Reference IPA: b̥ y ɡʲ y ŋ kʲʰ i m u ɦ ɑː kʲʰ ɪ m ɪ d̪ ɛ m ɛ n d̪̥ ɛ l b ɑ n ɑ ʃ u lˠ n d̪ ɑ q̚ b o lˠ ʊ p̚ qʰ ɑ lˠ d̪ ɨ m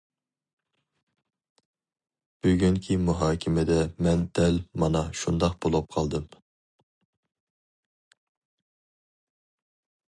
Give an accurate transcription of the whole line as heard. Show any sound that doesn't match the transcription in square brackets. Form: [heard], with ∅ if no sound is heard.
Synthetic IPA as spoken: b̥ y ɡʲ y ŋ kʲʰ i m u ɦ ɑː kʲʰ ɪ m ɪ d̪ ɛ m ɛ n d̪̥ ɛ l [m] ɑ n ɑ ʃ u [∅] n d̪ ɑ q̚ b o lˠ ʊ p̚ qʰ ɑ lˠ d̪ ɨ m